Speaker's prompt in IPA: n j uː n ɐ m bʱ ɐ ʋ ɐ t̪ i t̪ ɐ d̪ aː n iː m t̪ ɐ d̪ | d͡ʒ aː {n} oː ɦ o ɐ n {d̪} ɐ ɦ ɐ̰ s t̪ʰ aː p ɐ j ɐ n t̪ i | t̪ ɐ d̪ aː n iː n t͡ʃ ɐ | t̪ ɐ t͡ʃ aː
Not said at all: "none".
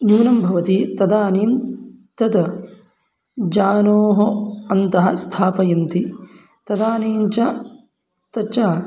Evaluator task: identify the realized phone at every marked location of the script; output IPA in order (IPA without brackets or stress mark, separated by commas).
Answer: n, t̪